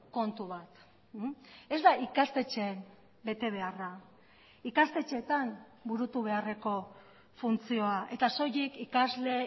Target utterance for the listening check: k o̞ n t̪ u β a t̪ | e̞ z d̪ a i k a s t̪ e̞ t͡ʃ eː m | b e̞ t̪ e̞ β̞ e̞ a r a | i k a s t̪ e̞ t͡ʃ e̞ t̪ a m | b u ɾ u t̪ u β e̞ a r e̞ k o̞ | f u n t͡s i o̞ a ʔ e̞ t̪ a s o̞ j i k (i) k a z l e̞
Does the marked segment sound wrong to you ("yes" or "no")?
no